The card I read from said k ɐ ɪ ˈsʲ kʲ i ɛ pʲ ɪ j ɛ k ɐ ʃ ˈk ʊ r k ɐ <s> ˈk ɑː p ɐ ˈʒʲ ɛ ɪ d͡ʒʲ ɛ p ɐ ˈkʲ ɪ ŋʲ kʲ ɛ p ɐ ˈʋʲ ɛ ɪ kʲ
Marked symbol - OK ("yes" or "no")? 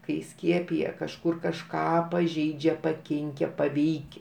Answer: no